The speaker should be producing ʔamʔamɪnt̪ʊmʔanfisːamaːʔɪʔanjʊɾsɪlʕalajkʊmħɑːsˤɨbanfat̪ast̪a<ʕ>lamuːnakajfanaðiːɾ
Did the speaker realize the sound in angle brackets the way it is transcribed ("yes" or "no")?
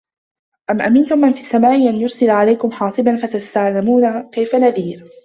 yes